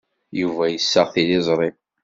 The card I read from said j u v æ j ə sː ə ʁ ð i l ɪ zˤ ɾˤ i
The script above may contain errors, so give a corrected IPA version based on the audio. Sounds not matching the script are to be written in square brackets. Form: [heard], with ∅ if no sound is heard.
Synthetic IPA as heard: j u v æ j ə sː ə ʁ [θ] i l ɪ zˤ ɾˤ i